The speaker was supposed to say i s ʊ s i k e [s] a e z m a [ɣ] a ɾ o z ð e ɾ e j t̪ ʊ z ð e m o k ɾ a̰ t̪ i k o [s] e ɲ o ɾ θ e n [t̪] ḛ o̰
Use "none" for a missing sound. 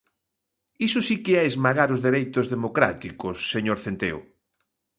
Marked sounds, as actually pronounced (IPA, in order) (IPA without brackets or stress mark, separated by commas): none, ɣ, sː, t̪